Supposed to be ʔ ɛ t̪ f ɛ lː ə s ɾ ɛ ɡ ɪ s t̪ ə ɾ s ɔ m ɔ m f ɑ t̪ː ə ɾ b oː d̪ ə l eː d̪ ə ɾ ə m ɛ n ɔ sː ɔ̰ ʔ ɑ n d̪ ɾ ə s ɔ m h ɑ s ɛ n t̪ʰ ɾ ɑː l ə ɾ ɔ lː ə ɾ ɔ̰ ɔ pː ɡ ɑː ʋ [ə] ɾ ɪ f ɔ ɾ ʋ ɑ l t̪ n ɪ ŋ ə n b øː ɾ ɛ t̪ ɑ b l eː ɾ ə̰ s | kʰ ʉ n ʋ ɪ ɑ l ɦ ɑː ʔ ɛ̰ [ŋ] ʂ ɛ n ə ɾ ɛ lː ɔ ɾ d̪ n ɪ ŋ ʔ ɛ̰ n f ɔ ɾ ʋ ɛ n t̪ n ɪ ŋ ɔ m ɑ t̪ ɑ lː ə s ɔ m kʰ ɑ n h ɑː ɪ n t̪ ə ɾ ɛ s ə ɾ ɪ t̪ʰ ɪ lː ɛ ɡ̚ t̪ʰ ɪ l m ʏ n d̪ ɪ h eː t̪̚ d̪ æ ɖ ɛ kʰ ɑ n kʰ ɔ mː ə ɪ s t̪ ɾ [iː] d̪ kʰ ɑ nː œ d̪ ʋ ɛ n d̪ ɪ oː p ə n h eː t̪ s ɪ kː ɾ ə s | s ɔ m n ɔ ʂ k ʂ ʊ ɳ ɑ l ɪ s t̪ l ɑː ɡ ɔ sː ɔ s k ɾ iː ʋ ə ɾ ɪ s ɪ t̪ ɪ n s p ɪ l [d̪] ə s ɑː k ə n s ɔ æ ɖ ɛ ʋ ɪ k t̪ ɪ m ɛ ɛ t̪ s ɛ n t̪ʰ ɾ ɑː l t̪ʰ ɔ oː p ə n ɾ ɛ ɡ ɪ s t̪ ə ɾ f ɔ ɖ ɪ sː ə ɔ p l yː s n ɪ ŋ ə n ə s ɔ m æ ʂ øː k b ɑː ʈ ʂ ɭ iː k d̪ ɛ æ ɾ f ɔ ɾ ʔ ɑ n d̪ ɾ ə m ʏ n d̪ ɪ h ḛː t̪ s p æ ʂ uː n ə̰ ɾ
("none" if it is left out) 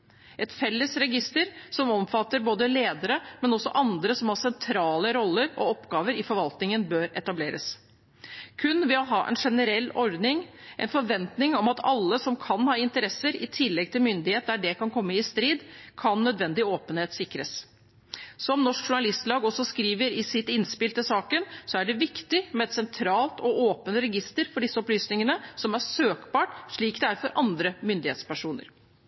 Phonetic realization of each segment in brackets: ə, n, iː, t̪

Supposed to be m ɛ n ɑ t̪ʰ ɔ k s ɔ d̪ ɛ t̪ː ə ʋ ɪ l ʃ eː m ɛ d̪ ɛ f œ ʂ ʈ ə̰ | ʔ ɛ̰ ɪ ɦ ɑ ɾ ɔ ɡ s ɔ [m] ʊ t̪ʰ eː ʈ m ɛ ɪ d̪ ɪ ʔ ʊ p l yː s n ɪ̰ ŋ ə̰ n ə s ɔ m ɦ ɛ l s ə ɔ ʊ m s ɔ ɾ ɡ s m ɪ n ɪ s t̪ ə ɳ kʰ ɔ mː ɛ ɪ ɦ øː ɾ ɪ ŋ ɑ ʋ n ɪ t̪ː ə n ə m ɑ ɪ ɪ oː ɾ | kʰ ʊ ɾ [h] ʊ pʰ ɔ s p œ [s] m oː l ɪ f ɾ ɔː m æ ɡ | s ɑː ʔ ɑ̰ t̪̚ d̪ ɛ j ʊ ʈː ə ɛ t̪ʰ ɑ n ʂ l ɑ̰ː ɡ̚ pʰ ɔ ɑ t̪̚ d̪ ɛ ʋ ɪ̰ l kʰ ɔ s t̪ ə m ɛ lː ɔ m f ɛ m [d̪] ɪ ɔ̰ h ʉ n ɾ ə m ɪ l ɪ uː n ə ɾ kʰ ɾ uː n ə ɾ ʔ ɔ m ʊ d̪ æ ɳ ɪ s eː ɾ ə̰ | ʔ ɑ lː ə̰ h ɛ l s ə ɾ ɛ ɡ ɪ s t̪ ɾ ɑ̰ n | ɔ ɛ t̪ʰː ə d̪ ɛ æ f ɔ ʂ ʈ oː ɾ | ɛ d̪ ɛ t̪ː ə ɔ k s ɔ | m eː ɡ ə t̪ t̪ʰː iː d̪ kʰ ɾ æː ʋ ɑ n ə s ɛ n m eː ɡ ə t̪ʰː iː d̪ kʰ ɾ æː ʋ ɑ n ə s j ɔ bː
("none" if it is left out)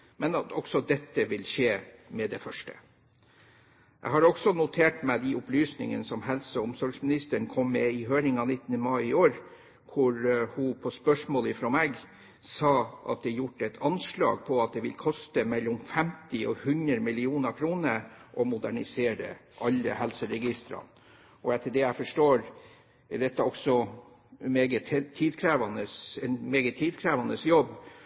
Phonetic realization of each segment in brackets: n, h, ʂ, t̪

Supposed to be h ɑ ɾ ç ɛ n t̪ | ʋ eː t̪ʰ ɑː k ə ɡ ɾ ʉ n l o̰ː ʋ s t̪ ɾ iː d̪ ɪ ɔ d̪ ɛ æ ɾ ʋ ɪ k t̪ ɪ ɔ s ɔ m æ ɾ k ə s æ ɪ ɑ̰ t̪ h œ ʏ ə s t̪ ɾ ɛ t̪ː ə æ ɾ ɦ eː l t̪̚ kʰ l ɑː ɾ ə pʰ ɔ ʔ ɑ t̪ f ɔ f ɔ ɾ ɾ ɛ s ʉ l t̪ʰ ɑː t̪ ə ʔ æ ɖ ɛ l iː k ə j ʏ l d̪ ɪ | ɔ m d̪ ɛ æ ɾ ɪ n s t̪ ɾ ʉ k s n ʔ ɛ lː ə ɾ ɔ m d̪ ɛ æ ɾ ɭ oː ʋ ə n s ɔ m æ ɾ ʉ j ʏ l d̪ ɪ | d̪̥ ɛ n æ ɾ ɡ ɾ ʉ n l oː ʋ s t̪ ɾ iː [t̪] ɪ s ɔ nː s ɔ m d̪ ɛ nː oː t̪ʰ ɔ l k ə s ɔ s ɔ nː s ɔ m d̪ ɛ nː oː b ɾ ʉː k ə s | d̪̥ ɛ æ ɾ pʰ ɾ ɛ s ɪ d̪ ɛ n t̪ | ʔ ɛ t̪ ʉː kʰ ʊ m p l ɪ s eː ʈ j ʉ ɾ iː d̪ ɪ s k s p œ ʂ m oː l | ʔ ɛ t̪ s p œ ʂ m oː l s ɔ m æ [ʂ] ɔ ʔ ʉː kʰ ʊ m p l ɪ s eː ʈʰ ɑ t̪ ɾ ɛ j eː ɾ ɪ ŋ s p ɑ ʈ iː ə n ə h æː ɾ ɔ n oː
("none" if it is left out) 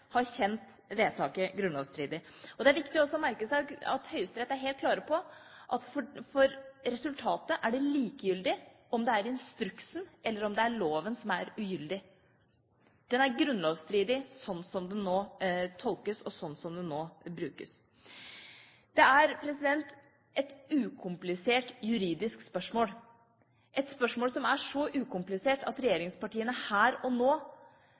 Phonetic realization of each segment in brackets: d̪, ʂ

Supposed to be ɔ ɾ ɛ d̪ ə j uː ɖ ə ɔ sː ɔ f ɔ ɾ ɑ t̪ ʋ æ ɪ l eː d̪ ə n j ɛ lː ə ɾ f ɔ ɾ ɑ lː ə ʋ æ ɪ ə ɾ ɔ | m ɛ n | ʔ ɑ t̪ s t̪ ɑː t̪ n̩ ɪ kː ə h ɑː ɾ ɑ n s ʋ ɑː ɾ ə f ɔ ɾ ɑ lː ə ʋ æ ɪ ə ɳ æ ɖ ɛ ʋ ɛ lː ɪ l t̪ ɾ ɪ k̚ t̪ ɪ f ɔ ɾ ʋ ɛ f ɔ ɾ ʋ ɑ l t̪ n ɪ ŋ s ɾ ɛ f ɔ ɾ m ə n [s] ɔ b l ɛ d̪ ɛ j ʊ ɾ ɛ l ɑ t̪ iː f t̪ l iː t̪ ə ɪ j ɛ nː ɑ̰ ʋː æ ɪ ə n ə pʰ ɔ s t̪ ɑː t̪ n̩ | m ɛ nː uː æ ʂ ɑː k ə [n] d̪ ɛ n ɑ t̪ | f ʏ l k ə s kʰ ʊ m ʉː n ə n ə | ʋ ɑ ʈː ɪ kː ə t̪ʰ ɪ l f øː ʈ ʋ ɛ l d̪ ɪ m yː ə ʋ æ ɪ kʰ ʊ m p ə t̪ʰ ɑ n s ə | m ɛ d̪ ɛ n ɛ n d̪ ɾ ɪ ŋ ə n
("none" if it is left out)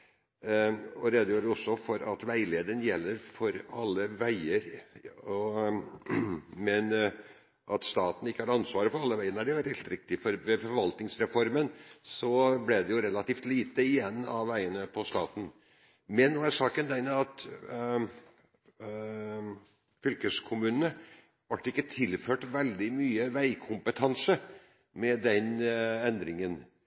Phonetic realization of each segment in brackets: s, n

